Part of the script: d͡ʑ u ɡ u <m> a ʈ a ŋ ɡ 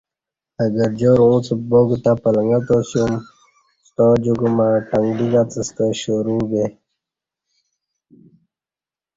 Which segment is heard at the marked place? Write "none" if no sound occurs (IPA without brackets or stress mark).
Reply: m